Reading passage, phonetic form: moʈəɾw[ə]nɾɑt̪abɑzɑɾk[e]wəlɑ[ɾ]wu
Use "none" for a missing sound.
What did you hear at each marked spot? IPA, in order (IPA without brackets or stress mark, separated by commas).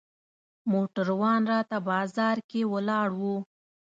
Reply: ɑ, e, ɽ